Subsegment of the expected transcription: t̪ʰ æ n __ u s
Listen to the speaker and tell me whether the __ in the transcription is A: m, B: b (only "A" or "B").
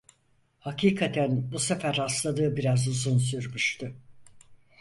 B